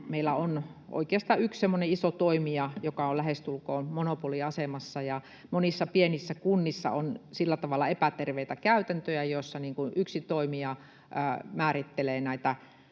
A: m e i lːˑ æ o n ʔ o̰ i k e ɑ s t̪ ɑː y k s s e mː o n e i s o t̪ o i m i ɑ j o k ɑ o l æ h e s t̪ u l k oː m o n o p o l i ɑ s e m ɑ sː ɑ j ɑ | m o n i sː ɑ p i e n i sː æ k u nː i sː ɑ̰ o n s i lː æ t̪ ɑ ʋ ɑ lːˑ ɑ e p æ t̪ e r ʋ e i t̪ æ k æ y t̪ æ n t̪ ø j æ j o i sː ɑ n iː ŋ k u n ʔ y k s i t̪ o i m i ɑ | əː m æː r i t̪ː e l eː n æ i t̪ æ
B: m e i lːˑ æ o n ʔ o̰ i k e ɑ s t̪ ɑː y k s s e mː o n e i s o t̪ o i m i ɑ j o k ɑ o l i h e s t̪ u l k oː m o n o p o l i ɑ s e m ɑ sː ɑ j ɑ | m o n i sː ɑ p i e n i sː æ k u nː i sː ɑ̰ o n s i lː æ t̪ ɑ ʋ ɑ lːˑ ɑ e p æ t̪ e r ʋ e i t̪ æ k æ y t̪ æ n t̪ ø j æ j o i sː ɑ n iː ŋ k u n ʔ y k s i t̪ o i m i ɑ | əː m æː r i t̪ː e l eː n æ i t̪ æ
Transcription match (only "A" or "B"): A